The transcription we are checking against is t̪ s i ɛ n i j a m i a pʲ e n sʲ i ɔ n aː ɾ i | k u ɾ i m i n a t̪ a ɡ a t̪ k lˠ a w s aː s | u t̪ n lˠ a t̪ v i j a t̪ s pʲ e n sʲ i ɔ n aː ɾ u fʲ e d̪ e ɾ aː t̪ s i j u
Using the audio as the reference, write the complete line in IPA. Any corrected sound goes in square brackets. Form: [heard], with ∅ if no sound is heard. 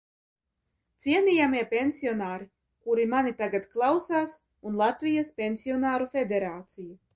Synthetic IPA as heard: t̪ s i ɛ n i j a m i [ɛ] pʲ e n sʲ i ɔ n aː ɾ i | k u ɾ i m [a] n [i] t̪ a ɡ a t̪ k lˠ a w s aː s | u [∅] n lˠ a t̪ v i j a [∅] s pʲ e n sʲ i ɔ n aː ɾ u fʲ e d̪ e ɾ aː t̪ s i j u